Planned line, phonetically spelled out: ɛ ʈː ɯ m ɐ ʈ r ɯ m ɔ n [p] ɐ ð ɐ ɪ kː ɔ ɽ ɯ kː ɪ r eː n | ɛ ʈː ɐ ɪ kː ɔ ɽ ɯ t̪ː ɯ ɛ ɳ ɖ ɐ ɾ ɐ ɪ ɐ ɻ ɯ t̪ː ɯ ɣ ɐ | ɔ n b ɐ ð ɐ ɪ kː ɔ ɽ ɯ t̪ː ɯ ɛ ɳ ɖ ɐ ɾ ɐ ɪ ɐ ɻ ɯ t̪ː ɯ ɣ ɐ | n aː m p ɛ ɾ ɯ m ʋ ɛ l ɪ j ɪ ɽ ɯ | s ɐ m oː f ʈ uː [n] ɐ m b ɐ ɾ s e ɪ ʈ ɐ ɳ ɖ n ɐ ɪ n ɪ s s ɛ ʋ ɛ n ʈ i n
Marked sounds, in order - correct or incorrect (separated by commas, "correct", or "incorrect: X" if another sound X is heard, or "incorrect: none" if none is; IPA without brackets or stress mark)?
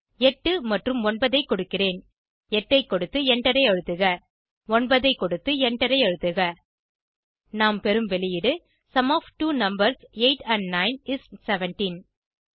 incorrect: b, correct